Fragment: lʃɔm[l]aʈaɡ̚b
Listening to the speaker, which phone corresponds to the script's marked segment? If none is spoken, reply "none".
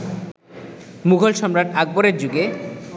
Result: ɾ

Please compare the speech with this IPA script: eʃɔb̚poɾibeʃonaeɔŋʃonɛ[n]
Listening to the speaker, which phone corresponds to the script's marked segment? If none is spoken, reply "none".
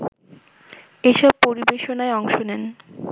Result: n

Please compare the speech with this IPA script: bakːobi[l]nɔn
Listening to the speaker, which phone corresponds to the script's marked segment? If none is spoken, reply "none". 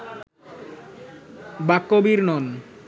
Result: ɾ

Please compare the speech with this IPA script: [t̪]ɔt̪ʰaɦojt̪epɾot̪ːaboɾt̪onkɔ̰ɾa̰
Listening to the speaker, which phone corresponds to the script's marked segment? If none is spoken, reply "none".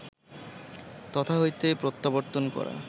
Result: t̪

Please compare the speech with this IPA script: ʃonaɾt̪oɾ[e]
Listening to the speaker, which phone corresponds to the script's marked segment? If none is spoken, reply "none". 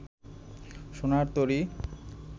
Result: i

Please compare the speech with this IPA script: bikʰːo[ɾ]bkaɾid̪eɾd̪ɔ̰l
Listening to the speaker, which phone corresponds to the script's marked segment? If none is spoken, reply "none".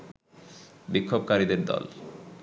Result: none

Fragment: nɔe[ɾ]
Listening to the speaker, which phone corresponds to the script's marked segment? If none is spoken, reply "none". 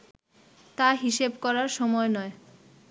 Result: none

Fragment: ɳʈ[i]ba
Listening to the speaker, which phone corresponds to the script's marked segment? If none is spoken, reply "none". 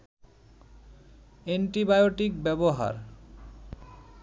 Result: i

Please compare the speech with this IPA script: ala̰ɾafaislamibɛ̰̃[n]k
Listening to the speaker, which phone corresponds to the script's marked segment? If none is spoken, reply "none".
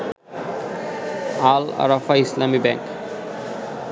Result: ŋ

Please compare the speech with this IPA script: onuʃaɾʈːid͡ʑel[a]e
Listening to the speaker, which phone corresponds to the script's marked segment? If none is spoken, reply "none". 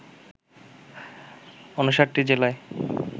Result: a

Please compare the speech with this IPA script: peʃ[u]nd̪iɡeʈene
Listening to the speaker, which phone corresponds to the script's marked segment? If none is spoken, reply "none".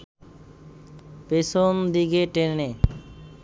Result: o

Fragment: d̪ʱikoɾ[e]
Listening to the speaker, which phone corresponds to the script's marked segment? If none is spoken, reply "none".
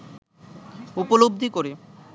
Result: e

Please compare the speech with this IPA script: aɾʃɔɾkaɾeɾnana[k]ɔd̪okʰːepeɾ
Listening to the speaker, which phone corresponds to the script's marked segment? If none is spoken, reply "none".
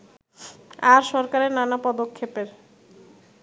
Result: p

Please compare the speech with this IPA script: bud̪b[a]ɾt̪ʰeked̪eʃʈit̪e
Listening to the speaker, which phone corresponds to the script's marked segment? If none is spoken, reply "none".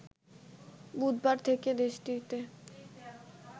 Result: a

